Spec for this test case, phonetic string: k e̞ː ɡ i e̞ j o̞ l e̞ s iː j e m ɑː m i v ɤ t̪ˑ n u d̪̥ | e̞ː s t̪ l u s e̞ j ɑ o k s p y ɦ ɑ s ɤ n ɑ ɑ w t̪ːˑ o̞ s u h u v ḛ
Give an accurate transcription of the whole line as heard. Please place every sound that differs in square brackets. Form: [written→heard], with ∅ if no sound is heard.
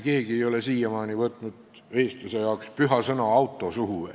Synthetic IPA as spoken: k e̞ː ɡ i e̞ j o̞ l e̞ s iː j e m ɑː [m→n] i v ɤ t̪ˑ n u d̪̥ | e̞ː s t̪ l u s e̞ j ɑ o k s p y ɦ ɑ s ɤ n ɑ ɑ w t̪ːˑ o̞ s u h u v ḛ